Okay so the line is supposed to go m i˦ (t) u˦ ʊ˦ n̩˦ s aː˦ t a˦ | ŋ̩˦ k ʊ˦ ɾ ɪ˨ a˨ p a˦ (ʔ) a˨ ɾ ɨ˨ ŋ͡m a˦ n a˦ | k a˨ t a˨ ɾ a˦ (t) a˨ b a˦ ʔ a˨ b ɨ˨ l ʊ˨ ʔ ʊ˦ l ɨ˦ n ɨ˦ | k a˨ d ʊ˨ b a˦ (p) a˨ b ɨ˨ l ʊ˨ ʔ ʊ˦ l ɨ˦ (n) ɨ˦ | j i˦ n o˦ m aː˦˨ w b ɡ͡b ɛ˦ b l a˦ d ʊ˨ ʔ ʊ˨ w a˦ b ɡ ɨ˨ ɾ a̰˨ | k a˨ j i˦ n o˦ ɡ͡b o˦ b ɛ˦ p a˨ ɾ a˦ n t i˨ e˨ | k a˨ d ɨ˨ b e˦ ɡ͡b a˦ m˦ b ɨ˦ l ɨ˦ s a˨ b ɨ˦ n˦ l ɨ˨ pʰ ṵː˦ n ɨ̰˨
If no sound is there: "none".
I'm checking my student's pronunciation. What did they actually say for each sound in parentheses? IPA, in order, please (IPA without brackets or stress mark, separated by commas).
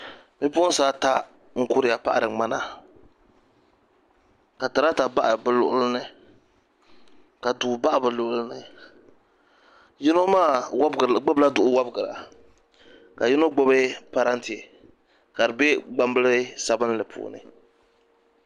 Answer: p, ʔ, t, ʔ, n